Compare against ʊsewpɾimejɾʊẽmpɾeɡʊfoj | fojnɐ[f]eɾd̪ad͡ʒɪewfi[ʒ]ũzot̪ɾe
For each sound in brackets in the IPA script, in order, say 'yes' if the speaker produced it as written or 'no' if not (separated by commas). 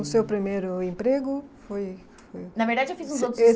no, no